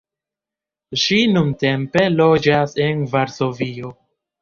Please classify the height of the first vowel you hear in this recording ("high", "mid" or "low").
high